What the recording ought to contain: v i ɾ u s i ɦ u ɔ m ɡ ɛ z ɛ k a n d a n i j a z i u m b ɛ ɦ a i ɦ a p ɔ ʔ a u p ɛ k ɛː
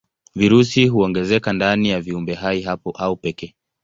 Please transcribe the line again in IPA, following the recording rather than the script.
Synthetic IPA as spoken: v i ɾ u s i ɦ u ɔ ŋ ɡ ɛ z ɛ k a n d a n i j a v i u m b ɛ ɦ a i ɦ a p ɔ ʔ a u p ɛ k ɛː